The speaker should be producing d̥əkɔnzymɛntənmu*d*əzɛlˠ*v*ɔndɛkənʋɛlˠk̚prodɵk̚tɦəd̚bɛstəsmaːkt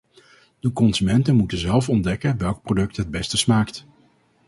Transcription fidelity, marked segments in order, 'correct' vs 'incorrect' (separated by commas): incorrect, incorrect